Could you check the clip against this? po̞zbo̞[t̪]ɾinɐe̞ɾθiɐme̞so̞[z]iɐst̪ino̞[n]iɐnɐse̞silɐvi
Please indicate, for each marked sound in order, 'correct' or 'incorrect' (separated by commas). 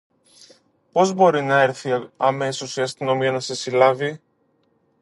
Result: incorrect, incorrect, incorrect